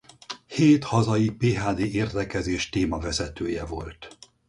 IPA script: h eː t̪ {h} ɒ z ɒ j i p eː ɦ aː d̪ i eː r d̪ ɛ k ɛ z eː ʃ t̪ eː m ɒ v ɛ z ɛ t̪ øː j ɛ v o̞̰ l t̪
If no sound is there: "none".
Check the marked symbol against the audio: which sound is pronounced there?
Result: h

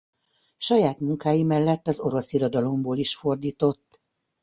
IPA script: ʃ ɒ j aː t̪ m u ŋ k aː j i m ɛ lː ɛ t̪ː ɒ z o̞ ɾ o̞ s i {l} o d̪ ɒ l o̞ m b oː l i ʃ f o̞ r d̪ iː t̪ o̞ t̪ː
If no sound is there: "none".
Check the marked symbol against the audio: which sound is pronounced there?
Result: ɾ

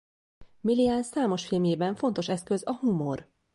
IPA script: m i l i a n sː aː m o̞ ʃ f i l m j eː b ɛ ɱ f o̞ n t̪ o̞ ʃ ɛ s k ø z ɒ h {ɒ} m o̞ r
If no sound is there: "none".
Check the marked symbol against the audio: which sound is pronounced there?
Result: u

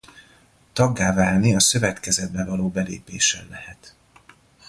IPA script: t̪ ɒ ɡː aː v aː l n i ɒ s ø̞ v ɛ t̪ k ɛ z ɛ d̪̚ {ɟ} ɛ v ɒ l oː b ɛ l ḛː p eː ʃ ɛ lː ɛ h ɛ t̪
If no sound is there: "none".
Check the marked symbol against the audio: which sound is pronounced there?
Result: b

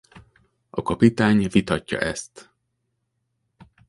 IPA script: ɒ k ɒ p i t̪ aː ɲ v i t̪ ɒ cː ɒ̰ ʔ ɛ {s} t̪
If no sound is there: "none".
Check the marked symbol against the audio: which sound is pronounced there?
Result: s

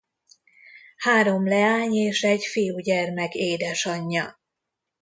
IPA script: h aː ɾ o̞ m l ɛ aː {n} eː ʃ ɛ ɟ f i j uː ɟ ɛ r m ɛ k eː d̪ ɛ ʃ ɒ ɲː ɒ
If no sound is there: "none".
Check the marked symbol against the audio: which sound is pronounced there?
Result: ɲ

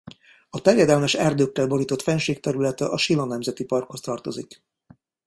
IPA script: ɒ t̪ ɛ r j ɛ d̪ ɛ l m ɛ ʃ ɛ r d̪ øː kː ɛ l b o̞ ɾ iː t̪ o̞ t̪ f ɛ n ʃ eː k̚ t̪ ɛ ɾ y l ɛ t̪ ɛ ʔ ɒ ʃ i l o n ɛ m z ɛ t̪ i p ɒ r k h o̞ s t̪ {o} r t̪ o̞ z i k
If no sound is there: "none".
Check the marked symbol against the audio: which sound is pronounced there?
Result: ɒ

